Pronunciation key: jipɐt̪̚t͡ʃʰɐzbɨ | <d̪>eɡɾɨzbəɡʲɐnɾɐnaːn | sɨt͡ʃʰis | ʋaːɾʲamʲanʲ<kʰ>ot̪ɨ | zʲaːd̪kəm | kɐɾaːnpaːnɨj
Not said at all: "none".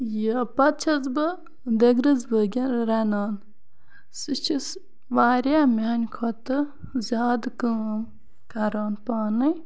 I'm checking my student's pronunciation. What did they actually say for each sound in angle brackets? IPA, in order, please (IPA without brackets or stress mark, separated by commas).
d̪, kʰ